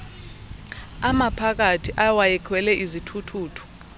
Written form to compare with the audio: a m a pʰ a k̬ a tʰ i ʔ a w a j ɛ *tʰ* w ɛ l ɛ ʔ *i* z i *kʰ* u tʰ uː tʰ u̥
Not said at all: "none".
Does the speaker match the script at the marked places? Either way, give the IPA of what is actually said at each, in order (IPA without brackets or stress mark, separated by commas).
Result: kʰ, i, tʰ